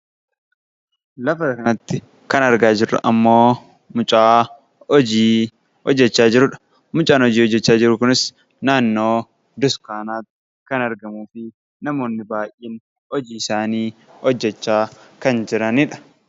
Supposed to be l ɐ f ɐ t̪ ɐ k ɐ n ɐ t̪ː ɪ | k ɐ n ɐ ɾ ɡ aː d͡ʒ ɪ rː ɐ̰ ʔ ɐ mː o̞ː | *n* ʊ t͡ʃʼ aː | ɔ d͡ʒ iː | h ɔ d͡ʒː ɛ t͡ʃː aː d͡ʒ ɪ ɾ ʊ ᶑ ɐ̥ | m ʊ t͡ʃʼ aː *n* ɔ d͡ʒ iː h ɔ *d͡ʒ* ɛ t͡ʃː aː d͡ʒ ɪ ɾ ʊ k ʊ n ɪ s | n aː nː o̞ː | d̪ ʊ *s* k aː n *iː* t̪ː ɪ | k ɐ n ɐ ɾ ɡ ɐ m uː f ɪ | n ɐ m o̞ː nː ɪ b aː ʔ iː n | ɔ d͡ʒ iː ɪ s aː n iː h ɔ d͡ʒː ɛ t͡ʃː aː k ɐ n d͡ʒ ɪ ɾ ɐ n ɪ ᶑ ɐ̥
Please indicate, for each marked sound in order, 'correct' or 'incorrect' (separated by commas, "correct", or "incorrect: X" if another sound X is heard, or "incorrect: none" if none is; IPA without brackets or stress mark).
incorrect: m, correct, incorrect: d͡ʒː, correct, incorrect: aː